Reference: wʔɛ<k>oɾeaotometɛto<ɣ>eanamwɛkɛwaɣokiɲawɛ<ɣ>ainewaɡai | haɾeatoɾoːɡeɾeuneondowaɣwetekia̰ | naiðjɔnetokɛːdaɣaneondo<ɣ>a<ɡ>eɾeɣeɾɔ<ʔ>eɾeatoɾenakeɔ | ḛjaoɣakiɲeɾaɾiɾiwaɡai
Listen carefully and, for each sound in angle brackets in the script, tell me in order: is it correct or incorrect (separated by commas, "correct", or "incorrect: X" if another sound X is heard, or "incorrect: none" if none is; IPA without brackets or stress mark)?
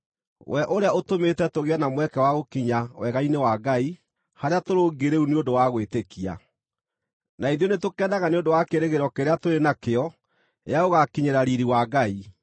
incorrect: ʔ, correct, correct, incorrect: w, incorrect: k, incorrect: k